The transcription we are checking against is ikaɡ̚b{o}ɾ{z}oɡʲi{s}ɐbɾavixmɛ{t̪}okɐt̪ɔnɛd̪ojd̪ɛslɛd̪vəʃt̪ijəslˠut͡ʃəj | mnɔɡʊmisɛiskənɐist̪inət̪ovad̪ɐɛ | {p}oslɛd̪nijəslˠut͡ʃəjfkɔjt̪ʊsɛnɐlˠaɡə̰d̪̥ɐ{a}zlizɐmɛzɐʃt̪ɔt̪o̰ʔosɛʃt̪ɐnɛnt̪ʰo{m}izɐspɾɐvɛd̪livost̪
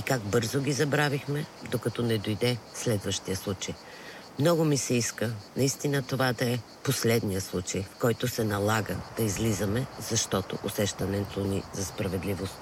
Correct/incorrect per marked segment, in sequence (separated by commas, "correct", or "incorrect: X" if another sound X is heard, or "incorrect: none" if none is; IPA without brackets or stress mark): incorrect: ɤ, correct, incorrect: z, incorrect: d̪, correct, incorrect: i, incorrect: n